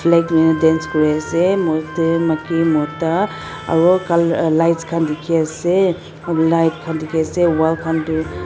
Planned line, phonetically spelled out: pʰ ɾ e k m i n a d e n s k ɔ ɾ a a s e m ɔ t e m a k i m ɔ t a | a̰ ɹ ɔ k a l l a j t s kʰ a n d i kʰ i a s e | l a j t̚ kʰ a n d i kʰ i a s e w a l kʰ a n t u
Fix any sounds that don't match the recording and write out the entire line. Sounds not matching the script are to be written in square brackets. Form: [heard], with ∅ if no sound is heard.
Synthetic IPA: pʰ [l] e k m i n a d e n s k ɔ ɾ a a s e m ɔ t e m a k i m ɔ t a | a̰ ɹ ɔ k a l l a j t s kʰ a n d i kʰ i a s e | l a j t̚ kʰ a n d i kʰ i a s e w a l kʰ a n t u